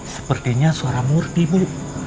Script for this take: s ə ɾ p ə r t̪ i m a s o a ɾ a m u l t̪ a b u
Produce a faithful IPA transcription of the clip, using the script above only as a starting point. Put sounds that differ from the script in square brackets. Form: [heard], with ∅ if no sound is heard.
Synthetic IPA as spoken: s ə [∅] p ə r t̪ i [ɲ] a s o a ɾ a m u [r] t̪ [i] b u